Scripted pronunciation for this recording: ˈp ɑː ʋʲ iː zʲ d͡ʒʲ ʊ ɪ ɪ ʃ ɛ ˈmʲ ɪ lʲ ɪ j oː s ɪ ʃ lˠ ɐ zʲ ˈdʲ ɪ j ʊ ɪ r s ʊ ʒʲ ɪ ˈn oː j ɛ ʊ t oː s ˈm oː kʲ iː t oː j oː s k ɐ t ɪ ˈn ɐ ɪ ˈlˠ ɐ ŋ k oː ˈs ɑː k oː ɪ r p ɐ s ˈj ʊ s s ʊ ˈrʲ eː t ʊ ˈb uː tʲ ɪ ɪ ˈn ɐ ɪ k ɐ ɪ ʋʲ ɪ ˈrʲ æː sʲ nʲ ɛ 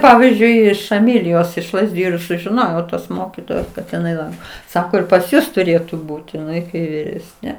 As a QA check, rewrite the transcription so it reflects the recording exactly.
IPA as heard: ˈp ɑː ʋʲ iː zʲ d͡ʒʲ ʊ ɪ ɪ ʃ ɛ ˈmʲ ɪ lʲ ɪ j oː s ɪ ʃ lˠ ɐ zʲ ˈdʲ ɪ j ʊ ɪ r s ʊ ʒʲ ɪ ˈn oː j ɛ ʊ t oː s ˈm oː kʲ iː t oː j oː s k ɐ t ɪ ˈn ɐ ɪ ˈlˠ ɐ ŋ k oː ˈs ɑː k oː ɪ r p ɐ s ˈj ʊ s t ʊ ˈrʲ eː t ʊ ˈb uː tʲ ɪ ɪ ˈn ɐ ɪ k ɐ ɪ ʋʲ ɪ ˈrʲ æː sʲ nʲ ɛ